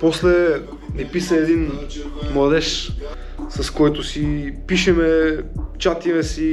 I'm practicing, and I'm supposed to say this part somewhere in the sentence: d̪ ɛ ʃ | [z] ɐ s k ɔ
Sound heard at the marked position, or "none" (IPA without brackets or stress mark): s